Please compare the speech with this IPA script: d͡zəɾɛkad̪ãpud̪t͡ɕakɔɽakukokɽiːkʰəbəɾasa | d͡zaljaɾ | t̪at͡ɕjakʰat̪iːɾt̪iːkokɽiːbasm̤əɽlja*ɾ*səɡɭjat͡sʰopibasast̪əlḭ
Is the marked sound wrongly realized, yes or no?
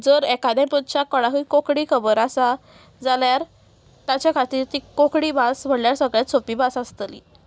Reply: no